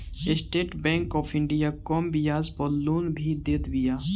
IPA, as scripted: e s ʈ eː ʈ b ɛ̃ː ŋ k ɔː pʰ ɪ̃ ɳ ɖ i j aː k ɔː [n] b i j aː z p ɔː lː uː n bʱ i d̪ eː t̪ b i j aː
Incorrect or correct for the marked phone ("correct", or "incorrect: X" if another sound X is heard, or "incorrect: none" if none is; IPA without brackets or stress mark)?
incorrect: m